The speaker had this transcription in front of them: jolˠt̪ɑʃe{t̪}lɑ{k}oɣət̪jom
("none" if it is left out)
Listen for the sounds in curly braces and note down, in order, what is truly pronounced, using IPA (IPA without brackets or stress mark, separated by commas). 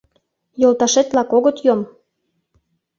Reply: t̪, k